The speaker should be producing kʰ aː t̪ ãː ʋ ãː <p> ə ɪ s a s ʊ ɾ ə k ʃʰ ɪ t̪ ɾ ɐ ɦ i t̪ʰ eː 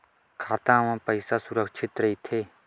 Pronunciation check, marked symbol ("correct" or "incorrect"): correct